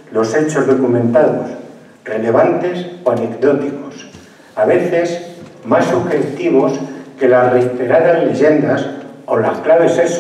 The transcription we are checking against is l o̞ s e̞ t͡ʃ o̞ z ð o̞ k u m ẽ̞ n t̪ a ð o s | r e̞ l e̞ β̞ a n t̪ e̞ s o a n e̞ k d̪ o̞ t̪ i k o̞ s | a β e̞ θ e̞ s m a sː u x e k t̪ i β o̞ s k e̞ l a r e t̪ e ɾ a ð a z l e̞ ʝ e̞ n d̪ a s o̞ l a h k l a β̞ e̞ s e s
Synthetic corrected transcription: l o̞ s e̞ t͡ʃ o̞ z ð o̞ k u m ẽ̞ n t̪ a ð o s | r e̞ l e̞ β̞ a n t̪ e̞ s o a n e̞ k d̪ o̞ t̪ i k o̞ s | a β e̞ θ e̞ s m a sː u x e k t̪ i β o̞ s k e̞ l a r e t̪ e ɾ a ð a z l e̞ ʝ e̞ n d̪ a s o̞ l a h k l a β̞ e̞ s e s